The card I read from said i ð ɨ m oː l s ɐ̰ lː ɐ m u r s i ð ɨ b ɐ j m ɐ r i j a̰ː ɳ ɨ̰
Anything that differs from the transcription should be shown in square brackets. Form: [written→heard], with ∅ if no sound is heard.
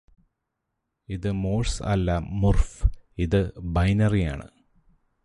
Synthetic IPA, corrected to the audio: i ð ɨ m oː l s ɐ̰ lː ɐ m u r [s→f] i ð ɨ b ɐ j [m→n] ɐ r i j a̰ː ɳ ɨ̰